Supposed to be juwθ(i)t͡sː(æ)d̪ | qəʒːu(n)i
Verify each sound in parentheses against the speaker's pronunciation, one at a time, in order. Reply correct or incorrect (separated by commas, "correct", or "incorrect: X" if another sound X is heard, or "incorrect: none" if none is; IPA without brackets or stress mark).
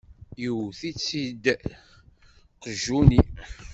correct, incorrect: i, correct